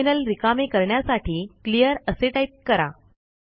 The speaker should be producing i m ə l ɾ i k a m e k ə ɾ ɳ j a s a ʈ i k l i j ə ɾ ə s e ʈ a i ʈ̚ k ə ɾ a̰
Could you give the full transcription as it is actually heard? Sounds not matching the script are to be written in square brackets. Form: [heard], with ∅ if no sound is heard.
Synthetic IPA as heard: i [n] ə l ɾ i k a m e k ə ɾ ɳ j a s a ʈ [iː] k l i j ə ɾ ə s e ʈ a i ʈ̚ k ə ɾ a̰